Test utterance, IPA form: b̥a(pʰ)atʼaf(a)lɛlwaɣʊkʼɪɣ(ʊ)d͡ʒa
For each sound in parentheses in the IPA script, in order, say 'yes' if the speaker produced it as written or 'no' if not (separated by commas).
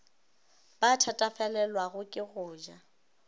no, no, no